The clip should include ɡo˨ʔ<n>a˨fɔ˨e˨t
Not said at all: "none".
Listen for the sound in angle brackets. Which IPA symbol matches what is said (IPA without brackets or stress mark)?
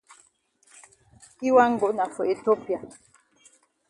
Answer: n